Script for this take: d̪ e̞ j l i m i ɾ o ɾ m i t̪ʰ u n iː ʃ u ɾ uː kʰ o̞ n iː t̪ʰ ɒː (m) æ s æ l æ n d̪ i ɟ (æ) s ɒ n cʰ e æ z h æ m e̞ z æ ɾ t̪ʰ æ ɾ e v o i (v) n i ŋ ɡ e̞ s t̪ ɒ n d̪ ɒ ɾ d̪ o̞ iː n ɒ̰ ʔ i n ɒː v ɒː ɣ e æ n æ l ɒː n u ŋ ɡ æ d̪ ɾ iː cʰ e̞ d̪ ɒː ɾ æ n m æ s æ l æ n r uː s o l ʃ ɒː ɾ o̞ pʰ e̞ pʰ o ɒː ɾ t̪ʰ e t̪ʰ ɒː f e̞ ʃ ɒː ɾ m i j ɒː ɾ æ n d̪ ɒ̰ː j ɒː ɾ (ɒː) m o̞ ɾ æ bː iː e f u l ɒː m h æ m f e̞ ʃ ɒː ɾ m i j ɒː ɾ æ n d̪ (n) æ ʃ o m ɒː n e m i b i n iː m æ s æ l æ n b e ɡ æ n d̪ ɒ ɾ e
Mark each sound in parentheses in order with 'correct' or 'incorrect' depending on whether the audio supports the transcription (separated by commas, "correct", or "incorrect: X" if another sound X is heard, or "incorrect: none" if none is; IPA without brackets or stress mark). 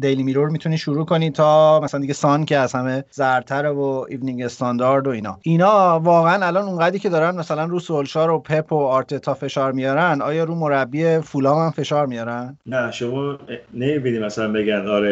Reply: correct, incorrect: e, correct, incorrect: uː, correct